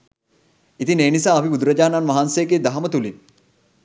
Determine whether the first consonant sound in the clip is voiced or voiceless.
voiceless